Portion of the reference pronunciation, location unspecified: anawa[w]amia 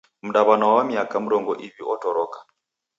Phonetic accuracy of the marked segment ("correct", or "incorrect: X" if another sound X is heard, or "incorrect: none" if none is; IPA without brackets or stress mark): correct